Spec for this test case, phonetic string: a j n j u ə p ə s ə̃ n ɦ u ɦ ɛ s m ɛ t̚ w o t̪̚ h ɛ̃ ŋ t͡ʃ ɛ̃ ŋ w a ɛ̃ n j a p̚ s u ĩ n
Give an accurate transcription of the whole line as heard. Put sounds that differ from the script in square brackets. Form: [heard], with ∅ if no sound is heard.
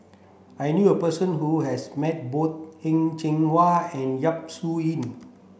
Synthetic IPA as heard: a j n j u ə p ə s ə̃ n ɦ u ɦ ɛ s m ɛ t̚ [b] o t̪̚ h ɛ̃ ŋ t͡ʃ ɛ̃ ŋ w a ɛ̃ n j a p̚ s u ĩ n